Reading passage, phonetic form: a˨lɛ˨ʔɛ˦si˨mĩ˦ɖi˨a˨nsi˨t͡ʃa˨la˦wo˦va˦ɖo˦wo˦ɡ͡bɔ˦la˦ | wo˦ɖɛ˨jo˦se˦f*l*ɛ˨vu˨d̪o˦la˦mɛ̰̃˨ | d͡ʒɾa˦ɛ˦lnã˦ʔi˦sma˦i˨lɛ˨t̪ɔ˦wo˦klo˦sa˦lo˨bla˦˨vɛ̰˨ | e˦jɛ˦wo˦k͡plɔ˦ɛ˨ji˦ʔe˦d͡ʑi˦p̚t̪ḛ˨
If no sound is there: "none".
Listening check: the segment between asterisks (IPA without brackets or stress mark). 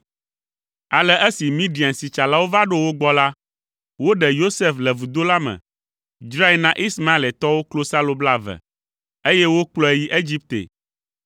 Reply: l